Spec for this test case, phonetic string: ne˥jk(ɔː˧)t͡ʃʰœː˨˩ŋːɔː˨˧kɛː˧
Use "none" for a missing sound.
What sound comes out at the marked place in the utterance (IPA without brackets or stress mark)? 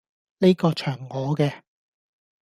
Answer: ɔː˧